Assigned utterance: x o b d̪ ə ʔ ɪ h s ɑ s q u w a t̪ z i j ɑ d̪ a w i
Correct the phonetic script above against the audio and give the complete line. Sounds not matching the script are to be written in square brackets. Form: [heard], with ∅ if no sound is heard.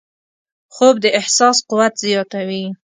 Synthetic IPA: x o b d̪ ə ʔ ɪ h s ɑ s q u w a t̪ z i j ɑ [t̪] a w i